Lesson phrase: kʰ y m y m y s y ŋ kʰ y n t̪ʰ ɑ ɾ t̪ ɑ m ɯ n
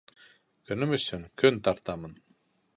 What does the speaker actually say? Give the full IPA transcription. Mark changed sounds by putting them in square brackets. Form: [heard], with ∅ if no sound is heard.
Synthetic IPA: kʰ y [n] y m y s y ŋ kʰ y n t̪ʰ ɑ ɾ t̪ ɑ m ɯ n